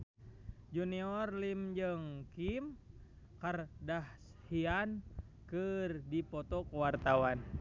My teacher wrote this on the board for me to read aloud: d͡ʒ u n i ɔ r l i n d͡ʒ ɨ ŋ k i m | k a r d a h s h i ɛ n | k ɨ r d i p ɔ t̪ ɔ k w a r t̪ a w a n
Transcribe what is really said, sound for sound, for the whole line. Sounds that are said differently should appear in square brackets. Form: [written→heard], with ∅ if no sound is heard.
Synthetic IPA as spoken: d͡ʒ u n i ɔ r l i [n→m] d͡ʒ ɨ ŋ k i m | k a r d a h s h i [ɛ→a] n | k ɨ r d i p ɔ t̪ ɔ k w a r t̪ a w a n